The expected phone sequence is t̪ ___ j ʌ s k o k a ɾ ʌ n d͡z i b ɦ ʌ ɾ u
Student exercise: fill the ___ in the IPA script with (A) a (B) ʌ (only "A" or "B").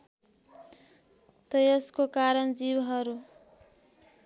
B